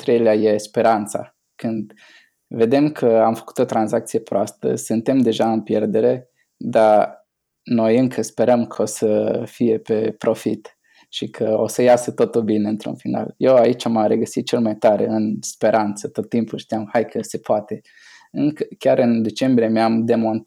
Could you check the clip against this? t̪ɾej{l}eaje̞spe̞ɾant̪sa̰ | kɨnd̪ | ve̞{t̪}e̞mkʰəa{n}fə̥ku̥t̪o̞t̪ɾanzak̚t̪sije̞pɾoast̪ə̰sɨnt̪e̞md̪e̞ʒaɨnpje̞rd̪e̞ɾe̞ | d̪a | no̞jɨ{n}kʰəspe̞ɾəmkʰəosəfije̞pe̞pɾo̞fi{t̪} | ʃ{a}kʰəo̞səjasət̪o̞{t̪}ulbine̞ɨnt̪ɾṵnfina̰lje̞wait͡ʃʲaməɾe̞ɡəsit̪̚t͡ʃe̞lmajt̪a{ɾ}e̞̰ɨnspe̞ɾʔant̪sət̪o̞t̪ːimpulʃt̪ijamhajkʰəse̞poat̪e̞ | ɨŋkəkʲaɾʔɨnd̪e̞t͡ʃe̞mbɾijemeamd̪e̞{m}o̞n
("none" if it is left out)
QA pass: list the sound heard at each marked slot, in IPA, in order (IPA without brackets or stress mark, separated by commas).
l, d̪, m, ŋ, t̪, i, t̪, ɾ, m